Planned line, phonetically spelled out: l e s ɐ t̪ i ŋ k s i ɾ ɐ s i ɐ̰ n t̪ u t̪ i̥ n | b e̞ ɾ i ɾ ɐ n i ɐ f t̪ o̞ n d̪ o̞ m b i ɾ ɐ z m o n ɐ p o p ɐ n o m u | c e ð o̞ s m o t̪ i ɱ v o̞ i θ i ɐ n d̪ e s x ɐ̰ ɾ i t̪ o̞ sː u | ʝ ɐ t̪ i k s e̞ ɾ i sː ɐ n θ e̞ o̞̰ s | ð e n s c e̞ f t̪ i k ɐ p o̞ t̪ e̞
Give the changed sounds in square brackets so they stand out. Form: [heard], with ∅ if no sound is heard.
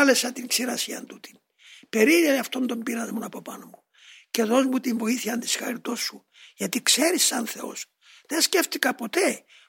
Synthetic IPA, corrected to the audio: l e s ɐ t̪ i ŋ k s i ɾ ɐ s i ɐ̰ n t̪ u t̪ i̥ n | [p] e̞ ɾ i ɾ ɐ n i ɐ f t̪ o̞ n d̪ o̞ m b i ɾ ɐ z m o n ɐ p o p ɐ n o m u | c e ð o̞ [z] m [u] t̪ i ɱ v o̞ i θ i ɐ n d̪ [i] s x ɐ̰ ɾ i t̪ o̞ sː u | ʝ ɐ t̪ i k s e̞ ɾ i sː ɐ n θ e̞ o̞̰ s | ð e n s c e̞ f t̪ i k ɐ p o̞ t̪ e̞